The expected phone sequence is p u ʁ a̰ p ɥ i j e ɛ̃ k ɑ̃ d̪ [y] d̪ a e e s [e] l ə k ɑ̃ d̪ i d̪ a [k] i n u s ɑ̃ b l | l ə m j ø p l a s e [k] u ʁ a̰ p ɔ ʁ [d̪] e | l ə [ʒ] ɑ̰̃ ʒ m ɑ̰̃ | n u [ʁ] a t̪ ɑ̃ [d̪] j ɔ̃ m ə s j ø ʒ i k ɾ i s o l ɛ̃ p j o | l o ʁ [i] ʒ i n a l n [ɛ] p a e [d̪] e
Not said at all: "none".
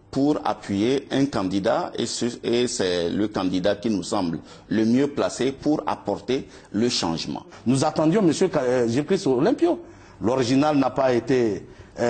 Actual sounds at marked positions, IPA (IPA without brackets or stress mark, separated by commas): i, ɛ, k, p, t̪, ʃ, z, d̪, i, a, t̪